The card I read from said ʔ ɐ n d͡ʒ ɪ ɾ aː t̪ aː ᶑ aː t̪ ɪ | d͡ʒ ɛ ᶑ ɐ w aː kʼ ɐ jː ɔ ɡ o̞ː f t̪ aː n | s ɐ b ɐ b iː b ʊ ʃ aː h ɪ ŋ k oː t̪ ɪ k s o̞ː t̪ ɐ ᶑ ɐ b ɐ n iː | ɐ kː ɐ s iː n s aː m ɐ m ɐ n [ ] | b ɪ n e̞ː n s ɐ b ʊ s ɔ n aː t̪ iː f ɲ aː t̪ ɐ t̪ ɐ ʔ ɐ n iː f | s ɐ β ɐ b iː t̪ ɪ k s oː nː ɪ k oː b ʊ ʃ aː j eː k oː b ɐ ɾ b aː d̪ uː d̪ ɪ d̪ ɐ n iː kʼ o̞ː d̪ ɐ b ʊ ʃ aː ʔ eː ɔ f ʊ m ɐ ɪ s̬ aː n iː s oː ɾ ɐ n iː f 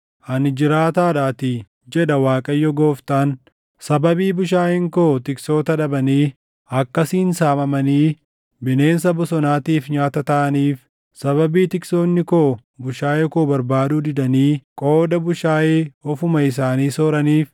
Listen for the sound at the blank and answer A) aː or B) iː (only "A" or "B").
B